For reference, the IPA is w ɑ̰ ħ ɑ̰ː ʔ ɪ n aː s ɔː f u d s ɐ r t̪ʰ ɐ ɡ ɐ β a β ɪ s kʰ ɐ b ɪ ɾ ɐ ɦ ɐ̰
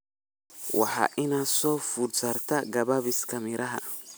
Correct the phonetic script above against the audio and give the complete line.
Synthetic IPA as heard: w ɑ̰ ħ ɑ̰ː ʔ ɪ n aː s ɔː f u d s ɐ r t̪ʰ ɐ ɡ ɐ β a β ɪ s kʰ ɐ m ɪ ɾ ɐ ɦ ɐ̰